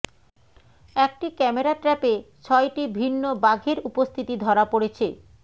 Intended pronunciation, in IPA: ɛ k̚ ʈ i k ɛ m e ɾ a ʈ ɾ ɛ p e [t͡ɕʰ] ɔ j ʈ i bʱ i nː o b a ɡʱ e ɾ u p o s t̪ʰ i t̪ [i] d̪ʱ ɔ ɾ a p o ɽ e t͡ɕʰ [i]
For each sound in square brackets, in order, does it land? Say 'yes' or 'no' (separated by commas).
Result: yes, yes, no